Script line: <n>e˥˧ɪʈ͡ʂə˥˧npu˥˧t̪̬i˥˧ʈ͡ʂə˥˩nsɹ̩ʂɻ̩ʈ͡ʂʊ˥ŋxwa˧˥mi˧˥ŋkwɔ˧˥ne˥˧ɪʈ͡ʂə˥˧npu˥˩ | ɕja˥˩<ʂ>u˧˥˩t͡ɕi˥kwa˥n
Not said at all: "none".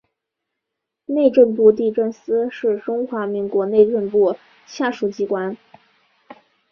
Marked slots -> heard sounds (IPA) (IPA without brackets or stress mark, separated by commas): n, ʂ